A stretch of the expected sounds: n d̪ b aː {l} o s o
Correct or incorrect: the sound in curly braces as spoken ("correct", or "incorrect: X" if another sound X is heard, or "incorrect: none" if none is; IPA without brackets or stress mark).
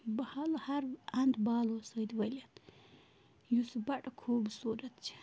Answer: correct